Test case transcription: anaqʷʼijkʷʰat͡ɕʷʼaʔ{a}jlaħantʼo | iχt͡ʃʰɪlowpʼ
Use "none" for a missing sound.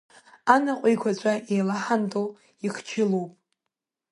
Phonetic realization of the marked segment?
e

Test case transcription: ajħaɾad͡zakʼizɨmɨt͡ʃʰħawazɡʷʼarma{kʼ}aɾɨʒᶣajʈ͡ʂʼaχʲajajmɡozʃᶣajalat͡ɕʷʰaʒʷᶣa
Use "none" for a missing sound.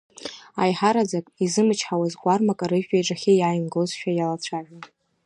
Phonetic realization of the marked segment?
kʼ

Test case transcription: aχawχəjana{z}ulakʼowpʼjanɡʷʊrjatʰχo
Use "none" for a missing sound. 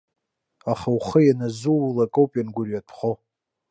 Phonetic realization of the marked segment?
z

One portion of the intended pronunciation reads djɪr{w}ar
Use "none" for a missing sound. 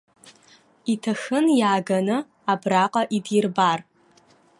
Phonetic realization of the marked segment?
b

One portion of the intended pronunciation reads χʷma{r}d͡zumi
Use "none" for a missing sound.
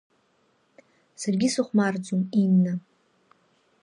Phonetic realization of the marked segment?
r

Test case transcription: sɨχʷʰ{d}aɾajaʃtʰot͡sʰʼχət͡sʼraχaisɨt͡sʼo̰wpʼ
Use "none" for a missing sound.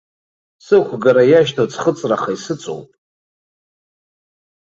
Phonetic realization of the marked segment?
ɡ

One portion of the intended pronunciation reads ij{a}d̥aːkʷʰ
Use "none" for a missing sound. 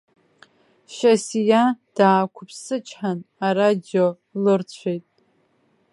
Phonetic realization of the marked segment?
a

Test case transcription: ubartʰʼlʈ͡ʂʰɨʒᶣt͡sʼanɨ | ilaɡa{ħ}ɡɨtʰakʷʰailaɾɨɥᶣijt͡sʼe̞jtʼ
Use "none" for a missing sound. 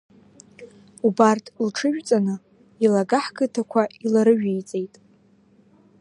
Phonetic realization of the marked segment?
ħ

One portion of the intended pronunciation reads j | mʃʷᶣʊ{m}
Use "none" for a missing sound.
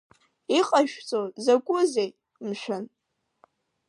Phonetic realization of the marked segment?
n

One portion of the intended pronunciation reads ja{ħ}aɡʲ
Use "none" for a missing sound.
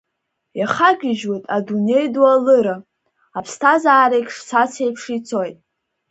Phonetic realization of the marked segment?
χ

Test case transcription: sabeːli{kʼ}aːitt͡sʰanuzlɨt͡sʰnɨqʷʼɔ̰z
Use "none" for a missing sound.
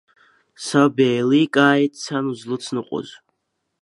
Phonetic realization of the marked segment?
kʼ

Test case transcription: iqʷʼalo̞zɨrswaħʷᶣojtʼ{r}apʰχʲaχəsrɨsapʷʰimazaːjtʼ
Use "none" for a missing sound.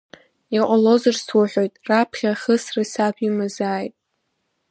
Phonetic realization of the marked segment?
r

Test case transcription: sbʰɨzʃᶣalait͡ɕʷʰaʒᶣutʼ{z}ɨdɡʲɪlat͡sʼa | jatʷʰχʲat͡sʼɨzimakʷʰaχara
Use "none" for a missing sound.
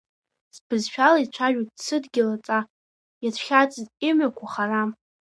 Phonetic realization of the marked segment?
s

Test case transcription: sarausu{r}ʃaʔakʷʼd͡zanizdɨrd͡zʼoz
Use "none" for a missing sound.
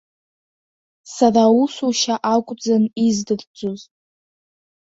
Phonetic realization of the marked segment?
none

